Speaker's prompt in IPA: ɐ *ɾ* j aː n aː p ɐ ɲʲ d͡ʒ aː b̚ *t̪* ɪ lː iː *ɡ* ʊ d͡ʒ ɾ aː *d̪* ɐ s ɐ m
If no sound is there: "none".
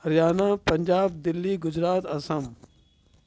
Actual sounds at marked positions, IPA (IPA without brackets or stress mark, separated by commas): ɾ, d̪, ɡ, t̪